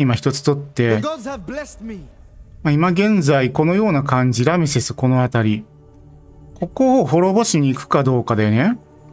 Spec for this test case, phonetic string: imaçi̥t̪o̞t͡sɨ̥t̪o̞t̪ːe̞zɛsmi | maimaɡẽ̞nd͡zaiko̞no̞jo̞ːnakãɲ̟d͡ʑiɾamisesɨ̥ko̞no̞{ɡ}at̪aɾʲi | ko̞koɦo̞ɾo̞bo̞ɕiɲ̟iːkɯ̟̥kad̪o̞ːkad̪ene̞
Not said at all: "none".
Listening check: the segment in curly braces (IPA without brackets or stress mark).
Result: none